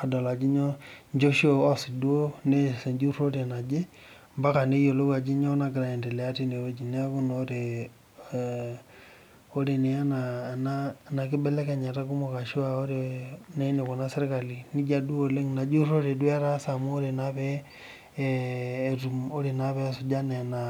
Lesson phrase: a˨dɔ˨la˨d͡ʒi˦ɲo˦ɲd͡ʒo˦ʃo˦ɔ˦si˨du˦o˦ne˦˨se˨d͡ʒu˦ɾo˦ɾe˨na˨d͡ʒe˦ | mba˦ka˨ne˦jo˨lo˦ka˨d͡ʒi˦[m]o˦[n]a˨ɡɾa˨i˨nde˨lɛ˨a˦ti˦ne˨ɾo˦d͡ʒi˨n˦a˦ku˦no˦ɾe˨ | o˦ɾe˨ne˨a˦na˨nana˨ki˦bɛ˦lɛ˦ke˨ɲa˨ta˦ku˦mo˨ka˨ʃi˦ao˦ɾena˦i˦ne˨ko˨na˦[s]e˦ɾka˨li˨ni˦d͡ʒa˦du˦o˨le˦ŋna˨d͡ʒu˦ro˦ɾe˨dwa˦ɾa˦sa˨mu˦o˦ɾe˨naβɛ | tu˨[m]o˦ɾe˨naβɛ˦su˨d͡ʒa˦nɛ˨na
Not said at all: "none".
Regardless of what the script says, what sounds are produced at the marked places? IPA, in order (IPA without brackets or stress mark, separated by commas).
ɲ, n, s, m